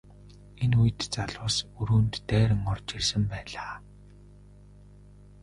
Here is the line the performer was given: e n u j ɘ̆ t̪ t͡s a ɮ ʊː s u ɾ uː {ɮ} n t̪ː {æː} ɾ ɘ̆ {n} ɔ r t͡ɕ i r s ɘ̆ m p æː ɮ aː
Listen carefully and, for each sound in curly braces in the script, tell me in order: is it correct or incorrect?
incorrect, correct, incorrect

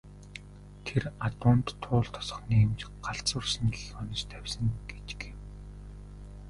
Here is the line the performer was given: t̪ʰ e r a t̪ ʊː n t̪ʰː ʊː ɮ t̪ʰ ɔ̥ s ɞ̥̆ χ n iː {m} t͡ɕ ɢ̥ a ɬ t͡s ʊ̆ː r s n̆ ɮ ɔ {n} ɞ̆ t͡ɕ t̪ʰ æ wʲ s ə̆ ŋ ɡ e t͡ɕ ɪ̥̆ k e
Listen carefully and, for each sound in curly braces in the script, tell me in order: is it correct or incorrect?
correct, correct

